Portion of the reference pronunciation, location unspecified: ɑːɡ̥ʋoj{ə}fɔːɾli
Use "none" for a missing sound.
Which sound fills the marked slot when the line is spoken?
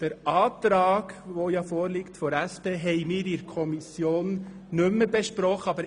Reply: ɑ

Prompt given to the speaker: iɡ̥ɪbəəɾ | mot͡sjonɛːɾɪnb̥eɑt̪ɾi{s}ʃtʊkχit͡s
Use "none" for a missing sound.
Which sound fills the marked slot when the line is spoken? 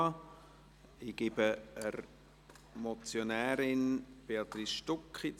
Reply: s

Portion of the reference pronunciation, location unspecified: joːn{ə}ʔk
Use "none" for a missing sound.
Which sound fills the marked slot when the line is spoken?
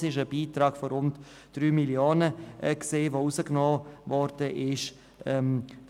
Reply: ə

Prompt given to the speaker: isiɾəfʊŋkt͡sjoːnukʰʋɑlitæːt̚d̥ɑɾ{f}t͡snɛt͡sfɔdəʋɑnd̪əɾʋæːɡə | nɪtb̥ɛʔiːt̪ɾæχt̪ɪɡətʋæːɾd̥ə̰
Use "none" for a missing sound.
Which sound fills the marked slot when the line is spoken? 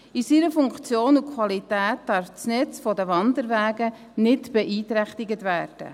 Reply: f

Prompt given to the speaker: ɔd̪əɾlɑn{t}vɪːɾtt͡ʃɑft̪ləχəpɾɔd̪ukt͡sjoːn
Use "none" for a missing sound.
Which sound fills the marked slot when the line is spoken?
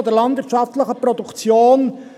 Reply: d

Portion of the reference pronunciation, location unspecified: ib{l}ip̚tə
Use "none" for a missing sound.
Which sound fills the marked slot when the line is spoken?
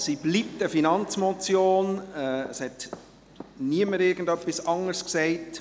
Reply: l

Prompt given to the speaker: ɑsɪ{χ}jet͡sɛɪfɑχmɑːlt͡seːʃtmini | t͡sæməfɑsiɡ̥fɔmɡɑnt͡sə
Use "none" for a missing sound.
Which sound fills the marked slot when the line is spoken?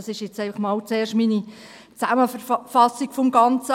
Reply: ʃ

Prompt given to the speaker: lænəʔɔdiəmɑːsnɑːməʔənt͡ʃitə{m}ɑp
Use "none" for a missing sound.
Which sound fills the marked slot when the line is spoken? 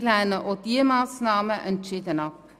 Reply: n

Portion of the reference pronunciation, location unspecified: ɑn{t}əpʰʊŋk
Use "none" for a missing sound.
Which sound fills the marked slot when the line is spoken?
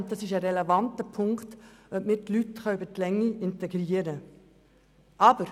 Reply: t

